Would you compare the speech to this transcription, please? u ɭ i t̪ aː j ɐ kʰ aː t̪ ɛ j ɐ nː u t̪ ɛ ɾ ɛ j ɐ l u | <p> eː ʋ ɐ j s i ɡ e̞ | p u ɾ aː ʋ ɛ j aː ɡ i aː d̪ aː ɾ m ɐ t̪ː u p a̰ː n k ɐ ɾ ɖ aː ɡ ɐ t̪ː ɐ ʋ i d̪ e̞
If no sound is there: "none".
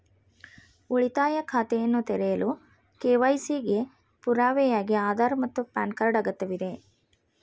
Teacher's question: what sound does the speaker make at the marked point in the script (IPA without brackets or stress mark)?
k